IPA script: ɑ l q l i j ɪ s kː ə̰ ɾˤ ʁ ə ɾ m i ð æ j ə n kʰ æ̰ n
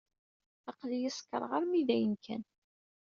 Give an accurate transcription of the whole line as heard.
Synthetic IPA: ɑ q l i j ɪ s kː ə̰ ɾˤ ʁ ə ɾ m i ð æ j ə n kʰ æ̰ n